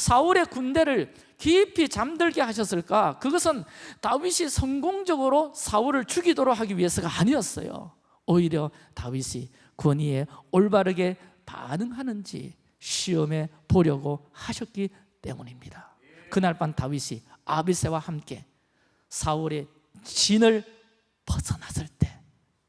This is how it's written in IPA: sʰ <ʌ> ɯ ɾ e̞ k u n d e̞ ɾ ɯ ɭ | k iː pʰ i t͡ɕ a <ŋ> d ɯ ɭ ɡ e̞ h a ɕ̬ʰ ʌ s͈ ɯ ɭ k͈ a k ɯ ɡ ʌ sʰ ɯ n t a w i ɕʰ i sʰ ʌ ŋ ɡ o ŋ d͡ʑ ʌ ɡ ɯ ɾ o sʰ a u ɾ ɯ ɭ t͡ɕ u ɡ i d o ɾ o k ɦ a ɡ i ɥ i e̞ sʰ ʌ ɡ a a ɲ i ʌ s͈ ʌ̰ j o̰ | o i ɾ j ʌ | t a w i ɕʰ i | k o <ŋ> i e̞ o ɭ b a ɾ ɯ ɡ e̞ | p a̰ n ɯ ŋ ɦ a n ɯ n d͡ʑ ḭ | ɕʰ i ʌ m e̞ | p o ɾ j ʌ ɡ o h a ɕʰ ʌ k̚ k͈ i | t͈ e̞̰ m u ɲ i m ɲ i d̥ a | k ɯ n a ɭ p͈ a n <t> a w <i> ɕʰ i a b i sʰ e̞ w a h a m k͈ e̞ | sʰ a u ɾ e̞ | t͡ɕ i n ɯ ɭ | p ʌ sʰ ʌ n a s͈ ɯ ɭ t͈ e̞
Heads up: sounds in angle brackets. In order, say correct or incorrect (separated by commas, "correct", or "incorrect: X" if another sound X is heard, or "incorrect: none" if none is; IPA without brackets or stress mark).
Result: incorrect: a, incorrect: m, incorrect: ɲ, correct, correct